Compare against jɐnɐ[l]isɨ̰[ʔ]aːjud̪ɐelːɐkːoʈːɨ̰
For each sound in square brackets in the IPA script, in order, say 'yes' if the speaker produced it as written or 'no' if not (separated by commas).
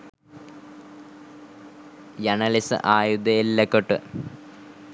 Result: yes, yes